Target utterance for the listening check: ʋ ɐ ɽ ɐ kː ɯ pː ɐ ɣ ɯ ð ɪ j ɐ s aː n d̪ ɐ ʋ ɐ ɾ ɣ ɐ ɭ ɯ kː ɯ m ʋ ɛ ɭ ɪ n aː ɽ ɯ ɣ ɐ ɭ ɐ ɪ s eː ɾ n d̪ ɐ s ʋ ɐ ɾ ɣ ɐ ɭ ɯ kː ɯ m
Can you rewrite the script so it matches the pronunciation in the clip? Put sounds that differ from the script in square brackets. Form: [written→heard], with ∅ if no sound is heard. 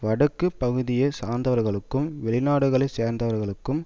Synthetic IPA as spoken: ʋ ɐ ɽ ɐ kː ɯ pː ɐ ɣ ɯ ð ɪ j ɐ s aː n d̪ ɐ ʋ ɐ ɾ ɣ ɐ ɭ ɯ kː ɯ m ʋ ɛ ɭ ɪ n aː ɽ ɯ ɣ ɐ ɭ ɐ ɪ s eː ɾ n d̪ ɐ [s→∅] ʋ ɐ ɾ ɣ ɐ ɭ ɯ kː ɯ m

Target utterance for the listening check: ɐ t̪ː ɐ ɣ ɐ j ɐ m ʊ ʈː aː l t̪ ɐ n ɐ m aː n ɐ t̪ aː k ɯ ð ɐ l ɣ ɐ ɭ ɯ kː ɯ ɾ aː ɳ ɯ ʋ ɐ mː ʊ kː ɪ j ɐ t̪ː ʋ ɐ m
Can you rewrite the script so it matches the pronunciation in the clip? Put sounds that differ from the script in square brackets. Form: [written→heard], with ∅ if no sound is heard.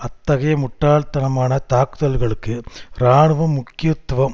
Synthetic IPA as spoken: ɐ t̪ː ɐ ɣ ɐ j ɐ m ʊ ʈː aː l t̪ ɐ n ɐ m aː n ɐ t̪ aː k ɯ ð ɐ l ɣ ɐ ɭ ɯ kː ɯ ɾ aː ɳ ɯ ʋ ɐ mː ʊ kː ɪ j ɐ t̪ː ʋ ɐ m

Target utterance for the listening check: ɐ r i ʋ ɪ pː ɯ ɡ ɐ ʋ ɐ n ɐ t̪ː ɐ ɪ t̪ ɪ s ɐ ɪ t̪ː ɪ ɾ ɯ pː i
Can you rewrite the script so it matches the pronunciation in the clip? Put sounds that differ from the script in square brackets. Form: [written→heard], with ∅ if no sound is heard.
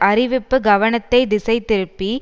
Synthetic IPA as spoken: ɐ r [i→ɪ] ʋ ɪ pː ɯ ɡ ɐ ʋ ɐ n ɐ t̪ː ɐ ɪ [t̪→d̪] ɪ s ɐ ɪ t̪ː ɪ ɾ ɯ pː i

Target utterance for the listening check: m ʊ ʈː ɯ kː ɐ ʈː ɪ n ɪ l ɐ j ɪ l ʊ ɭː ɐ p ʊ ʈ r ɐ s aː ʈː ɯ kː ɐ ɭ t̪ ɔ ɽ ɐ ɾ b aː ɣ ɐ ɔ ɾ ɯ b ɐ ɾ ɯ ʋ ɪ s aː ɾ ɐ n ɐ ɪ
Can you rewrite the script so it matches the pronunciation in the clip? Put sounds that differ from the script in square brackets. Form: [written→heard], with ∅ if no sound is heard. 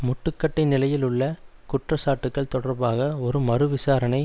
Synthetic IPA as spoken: m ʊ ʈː ɯ kː ɐ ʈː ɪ n ɪ l ɐ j ɪ l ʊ ɭː ɐ [p→k] ʊ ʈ r ɐ s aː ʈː ɯ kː ɐ ɭ t̪ ɔ ɽ ɐ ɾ b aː ɣ ɐ ɔ ɾ ɯ [b→m] ɐ ɾ ɯ ʋ ɪ s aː ɾ ɐ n ɐ ɪ

